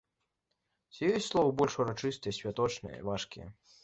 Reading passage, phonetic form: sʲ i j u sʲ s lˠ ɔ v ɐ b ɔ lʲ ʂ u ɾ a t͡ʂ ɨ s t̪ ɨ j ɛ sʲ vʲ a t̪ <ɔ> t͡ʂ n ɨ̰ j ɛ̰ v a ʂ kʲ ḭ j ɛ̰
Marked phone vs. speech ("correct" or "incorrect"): correct